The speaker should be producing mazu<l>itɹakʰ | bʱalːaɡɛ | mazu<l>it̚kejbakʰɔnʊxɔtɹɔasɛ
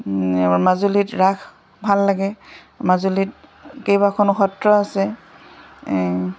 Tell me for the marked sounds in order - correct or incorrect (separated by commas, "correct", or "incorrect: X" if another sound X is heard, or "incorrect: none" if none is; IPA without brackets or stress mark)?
correct, correct